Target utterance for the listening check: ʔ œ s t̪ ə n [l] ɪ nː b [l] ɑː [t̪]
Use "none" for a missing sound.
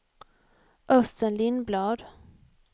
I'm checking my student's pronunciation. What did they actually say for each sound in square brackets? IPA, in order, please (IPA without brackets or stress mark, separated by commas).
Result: l, l, d̪